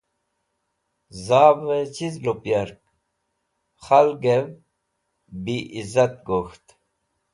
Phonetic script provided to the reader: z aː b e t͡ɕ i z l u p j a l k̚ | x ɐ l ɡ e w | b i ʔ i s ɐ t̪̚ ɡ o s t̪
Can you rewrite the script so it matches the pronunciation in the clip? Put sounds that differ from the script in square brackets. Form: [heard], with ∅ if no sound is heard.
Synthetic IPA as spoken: z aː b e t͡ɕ i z l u p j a [ɾ] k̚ | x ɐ l ɡ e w | b i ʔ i [z] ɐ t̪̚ ɡ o [x] t̪